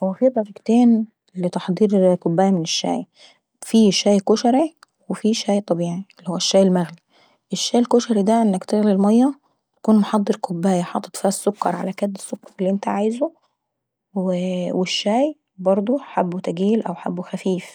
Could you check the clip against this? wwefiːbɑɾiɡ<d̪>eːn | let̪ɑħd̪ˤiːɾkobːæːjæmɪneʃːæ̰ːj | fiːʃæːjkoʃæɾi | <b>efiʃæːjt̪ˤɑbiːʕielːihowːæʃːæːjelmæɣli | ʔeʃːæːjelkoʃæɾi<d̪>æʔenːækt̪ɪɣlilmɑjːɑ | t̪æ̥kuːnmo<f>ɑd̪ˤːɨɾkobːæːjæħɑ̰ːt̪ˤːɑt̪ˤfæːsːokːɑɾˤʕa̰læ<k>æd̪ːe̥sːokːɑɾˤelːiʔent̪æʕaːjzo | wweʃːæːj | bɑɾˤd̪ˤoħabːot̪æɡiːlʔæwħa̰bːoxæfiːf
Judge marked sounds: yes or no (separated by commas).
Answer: no, no, yes, no, yes